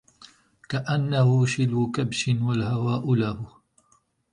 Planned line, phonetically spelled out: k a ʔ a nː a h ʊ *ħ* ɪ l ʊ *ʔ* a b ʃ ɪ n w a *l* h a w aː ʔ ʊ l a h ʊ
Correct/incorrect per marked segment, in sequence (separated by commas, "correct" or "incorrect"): incorrect, incorrect, correct